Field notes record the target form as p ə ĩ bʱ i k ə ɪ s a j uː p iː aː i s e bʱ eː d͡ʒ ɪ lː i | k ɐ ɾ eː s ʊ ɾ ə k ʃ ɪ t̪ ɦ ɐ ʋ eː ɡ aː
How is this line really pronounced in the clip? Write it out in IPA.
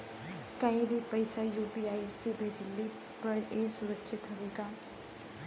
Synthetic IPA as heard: k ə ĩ bʱ i p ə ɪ s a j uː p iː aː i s e bʱ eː d͡ʒ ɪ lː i | p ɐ ɾ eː s ʊ ɾ ə k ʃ ɪ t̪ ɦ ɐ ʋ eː ɡ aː